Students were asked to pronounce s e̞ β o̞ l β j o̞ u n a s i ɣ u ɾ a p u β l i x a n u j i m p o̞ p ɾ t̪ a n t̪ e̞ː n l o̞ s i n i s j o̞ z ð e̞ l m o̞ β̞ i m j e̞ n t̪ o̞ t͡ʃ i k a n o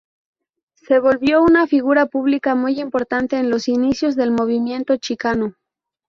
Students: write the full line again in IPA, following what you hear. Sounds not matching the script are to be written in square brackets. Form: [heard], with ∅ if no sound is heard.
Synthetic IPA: s e̞ β o̞ l β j o̞ u n a [f] i ɣ u ɾ a p u β l i [k] a [m] u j i m p o̞ [∅] ɾ t̪ a n t̪ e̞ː n l o̞ s i n i s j o̞ z ð e̞ l m o̞ β̞ i m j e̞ n t̪ o̞ t͡ʃ i k a n o

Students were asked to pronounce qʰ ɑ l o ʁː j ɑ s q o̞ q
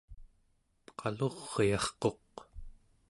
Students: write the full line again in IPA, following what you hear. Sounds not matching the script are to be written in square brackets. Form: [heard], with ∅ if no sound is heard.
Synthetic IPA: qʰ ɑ l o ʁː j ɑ [χ] q o̞ q

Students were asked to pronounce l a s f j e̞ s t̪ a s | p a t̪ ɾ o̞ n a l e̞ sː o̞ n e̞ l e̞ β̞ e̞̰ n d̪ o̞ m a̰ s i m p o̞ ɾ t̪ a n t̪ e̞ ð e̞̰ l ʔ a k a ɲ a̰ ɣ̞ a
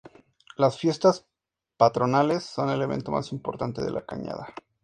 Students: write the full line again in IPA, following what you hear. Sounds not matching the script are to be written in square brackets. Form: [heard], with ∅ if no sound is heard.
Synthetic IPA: l a s f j e̞ s t̪ a s | p a t̪ ɾ o̞ n a l e̞ sː o̞ n e̞ l e̞ β̞ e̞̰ n [t̪] o̞ m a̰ s i m p o̞ ɾ t̪ a n t̪ e̞ ð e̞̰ l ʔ a k a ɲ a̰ [ð̞] a

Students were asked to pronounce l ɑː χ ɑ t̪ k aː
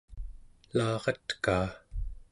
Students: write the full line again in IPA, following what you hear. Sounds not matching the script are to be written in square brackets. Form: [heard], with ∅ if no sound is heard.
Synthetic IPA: l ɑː [ʁ] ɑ t̪ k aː

